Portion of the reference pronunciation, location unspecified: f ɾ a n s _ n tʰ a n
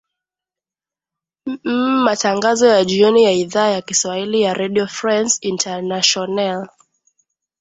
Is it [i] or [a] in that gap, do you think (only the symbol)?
i